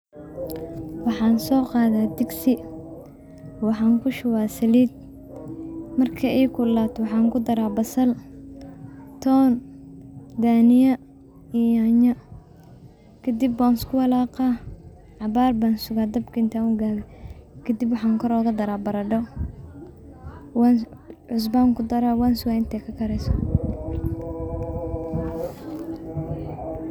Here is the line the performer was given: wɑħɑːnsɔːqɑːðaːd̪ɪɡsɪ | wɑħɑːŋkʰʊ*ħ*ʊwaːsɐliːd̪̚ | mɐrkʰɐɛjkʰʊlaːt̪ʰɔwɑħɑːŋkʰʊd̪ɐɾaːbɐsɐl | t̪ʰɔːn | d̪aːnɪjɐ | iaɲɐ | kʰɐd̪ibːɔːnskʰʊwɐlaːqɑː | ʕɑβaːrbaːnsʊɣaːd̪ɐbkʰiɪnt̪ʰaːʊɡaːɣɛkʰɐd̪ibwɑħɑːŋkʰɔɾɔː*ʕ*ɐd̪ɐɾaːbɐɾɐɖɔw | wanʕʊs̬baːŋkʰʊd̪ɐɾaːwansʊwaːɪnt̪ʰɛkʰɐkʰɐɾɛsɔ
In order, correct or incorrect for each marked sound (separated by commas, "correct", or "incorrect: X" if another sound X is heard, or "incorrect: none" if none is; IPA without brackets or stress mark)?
incorrect: ʃ, incorrect: ɣ